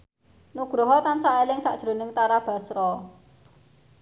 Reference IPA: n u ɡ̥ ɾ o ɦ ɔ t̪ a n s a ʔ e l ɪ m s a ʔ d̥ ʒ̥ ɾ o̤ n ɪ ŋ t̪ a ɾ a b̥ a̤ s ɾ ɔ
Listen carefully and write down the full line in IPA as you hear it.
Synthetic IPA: n u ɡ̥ ɾ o ɦ ɔ t̪ a n s a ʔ e l ɪ ŋ s a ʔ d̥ ʒ̥ ɾ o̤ n ɪ ŋ t̪ a ɾ a b̥ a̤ s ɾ ɔ